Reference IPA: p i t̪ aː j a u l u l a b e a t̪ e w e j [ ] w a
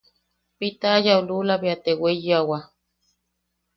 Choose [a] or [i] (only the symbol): a